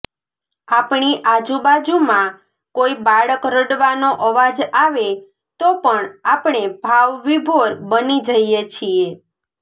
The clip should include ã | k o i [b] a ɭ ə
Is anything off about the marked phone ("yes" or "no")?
no